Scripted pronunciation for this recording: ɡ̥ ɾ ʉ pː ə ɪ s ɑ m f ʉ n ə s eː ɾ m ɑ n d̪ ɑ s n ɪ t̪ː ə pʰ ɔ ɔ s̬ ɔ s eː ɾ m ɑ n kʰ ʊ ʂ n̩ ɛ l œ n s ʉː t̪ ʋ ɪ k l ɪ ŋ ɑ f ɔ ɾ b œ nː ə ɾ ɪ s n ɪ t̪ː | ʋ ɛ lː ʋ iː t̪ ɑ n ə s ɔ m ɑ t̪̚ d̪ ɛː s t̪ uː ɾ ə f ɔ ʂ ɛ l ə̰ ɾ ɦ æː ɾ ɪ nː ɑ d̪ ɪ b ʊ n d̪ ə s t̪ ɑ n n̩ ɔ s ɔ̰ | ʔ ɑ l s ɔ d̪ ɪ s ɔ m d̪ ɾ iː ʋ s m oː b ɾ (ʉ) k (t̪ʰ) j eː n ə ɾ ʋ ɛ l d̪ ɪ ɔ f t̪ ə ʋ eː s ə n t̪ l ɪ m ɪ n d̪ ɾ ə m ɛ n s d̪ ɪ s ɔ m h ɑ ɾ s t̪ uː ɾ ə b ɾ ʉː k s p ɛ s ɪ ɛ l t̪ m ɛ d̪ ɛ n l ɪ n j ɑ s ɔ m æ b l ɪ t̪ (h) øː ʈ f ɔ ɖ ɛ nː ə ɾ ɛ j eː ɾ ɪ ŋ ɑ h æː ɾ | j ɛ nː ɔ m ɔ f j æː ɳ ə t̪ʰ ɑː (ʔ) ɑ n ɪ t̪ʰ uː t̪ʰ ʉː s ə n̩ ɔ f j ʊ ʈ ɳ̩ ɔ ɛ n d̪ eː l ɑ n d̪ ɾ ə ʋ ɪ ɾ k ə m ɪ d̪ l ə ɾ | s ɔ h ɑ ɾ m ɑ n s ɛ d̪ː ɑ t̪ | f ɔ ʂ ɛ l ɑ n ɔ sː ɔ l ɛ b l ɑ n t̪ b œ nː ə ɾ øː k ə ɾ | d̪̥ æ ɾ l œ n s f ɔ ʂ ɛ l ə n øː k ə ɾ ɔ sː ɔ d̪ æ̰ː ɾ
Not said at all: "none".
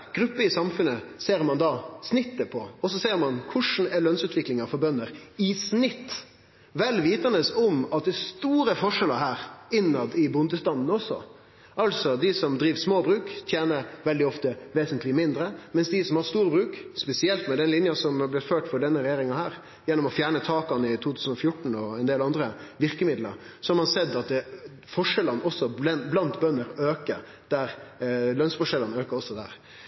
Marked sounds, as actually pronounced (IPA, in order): ʉː, t̪ʰ, f, k

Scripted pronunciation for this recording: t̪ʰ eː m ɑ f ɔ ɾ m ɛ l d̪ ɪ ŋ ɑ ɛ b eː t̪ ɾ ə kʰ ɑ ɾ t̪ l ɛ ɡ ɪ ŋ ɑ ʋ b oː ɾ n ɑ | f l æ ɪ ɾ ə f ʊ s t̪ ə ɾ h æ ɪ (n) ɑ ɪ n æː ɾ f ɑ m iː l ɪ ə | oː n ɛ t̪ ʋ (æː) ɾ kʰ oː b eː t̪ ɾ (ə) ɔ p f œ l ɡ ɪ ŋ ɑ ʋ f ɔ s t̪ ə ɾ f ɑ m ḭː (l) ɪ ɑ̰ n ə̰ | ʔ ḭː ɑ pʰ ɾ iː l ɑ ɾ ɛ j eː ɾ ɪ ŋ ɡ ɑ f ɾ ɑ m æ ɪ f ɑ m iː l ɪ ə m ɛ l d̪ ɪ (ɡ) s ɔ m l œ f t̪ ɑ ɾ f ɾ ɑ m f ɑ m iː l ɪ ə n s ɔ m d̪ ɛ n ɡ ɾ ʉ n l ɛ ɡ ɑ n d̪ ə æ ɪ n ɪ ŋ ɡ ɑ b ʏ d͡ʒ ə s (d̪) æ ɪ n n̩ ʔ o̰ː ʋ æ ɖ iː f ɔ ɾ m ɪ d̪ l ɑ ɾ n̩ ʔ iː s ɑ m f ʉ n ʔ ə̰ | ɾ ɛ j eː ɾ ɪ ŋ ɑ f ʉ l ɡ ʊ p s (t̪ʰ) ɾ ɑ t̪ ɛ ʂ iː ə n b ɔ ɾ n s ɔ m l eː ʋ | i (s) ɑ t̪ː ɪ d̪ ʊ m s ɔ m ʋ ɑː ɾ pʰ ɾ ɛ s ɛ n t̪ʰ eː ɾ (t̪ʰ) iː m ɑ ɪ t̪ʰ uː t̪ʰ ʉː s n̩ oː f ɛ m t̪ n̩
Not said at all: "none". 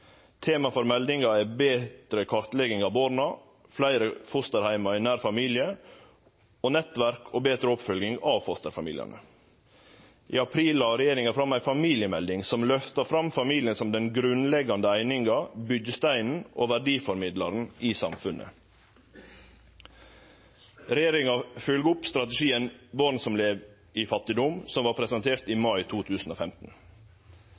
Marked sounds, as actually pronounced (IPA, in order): m, æ, ə, l, ŋ, t̪, t̪, f, t̪

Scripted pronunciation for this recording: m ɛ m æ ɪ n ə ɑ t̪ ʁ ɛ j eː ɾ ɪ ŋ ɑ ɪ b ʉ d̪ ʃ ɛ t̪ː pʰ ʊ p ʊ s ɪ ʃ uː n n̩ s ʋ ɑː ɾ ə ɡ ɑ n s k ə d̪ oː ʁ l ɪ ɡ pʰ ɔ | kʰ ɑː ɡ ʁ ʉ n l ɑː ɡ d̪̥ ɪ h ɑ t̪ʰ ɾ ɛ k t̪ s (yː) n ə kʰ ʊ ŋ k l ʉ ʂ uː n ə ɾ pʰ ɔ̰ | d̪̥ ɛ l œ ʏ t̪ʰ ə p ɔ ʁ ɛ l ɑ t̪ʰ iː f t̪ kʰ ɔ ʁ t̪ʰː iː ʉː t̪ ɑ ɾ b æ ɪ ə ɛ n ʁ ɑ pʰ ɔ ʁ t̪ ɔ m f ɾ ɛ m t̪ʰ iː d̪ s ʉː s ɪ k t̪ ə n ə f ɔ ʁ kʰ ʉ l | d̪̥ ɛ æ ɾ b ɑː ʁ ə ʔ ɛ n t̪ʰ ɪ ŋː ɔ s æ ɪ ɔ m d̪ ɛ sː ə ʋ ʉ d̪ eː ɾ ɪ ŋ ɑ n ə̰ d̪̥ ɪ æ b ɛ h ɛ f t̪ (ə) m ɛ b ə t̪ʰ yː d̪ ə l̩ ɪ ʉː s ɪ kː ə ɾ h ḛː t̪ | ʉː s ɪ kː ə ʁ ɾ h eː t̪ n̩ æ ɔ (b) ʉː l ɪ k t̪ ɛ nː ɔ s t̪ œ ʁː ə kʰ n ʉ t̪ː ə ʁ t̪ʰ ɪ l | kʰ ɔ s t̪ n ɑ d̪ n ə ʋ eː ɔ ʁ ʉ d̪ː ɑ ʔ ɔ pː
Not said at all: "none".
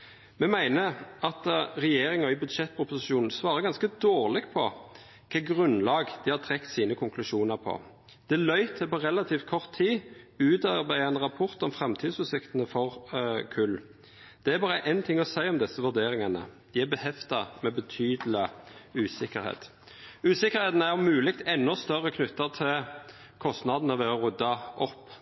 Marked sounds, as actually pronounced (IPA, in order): iː, ɑ, m

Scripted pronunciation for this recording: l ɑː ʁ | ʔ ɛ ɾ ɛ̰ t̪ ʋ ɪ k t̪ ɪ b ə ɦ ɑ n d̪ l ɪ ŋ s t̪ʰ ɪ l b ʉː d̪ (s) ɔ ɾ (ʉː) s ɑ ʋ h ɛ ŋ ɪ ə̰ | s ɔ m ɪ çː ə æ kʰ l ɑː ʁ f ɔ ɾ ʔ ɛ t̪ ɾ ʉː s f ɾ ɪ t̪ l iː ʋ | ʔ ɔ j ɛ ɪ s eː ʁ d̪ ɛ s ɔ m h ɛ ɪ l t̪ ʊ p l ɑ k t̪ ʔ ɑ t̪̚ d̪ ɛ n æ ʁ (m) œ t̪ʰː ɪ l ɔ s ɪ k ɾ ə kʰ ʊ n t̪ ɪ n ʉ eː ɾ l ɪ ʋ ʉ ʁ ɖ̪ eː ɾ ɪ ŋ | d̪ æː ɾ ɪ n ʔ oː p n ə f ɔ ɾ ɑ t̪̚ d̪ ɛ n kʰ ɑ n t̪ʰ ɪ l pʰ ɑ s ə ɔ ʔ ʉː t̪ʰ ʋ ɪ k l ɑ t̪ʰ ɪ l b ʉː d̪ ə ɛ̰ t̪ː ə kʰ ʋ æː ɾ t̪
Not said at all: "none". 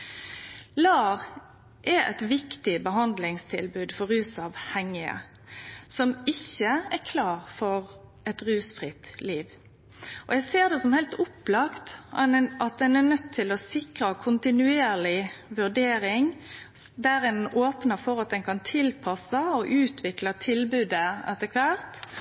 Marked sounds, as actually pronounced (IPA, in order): f, ʉː, n

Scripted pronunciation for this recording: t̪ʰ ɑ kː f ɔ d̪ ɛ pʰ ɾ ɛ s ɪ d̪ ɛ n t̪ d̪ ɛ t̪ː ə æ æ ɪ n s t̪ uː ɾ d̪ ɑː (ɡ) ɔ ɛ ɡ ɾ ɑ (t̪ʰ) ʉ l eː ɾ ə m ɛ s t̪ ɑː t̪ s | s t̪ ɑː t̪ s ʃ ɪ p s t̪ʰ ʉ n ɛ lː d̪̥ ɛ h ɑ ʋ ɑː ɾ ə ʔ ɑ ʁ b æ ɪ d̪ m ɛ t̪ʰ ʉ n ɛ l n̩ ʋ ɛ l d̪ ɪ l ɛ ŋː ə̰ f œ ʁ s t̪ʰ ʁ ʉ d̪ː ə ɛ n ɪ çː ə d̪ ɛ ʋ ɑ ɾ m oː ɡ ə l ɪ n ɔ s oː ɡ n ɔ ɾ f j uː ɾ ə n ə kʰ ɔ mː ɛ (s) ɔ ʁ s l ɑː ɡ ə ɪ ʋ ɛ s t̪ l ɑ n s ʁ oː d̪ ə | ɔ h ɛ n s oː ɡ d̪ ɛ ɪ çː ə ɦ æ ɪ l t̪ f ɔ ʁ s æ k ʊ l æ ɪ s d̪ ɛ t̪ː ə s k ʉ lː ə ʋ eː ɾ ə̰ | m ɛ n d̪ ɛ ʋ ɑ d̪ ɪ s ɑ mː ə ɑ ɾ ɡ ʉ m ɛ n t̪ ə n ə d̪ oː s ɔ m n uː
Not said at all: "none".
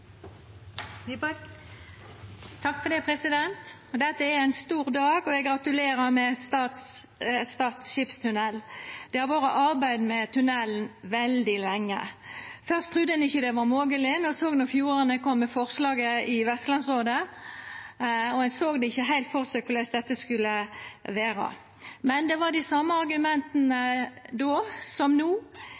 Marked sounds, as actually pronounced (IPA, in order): ɡ, t̪, f

